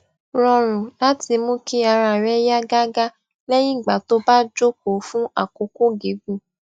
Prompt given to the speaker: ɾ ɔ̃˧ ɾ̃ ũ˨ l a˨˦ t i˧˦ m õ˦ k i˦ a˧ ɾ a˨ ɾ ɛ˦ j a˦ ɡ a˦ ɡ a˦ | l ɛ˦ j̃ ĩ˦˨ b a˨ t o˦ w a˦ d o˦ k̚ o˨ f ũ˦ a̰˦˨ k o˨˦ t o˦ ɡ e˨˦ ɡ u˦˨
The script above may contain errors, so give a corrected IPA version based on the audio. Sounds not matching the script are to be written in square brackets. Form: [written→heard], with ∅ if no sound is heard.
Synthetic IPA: ɾ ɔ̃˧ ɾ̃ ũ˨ l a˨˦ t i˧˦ m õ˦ k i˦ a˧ ɾ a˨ ɾ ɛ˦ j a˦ ɡ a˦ ɡ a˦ | l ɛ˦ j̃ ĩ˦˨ [b→ɡ͡b] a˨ t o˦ [w→b] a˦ [d→d͡ʒ] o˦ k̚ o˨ f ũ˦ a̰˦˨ k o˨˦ [t→k] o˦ ɡ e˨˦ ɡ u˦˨